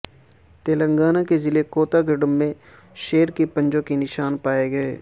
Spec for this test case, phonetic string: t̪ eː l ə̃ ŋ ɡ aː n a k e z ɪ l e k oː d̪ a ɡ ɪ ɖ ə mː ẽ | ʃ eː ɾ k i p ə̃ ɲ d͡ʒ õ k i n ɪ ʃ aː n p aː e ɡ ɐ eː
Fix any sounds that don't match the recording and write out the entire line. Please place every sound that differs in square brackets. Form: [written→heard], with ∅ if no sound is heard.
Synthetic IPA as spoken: t̪ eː l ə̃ ŋ ɡ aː n a k e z ɪ l e k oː [d̪→t̪] a ɡ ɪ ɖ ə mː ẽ | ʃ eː ɾ k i p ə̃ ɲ d͡ʒ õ k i n ɪ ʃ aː n p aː e ɡ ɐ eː